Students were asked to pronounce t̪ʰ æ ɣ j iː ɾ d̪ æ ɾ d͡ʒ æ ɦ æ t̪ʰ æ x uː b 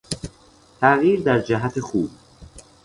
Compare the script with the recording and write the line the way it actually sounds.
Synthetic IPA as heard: t̪ʰ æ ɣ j iː ɾ d̪ æ ɾ d͡ʒ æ ɦ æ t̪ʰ e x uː b